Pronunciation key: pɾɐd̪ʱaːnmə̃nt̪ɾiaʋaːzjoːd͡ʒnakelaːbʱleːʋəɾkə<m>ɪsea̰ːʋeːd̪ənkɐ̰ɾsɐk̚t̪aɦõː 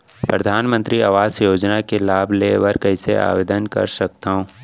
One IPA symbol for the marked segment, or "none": none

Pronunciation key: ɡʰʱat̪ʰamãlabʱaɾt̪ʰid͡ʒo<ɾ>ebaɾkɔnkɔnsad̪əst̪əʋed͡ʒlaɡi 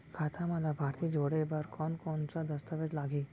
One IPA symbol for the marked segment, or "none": ɽ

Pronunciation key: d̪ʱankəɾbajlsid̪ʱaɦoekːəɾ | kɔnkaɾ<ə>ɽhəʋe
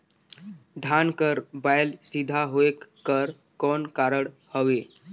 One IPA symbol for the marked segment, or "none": ə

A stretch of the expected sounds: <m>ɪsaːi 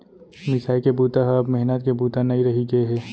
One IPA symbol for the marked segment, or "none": m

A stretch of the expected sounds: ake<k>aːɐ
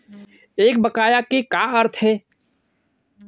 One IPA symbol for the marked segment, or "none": k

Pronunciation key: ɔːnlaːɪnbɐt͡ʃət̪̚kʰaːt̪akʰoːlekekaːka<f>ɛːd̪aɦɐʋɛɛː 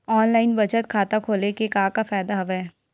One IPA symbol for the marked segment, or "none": f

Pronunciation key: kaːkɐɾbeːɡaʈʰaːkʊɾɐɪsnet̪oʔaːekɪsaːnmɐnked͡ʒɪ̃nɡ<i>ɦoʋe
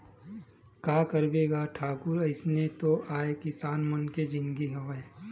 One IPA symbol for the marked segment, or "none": i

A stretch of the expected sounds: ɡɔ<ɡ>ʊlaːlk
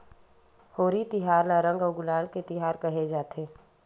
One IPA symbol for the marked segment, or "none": ɡ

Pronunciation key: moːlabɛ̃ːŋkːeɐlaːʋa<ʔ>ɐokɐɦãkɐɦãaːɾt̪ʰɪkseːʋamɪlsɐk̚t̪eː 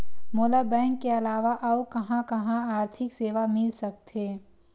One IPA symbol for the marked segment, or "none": ʔ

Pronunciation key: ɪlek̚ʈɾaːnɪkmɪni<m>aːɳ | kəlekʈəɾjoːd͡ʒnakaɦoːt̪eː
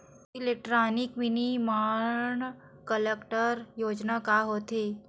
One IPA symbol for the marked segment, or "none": m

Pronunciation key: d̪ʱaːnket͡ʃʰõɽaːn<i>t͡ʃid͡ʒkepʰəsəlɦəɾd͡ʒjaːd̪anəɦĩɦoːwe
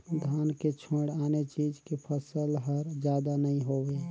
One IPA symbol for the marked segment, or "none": e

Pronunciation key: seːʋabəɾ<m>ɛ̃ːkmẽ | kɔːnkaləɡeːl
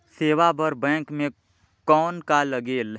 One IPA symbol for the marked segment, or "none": b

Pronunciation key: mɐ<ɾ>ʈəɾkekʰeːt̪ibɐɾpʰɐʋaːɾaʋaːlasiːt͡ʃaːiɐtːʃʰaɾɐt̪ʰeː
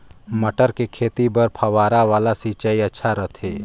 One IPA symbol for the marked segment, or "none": none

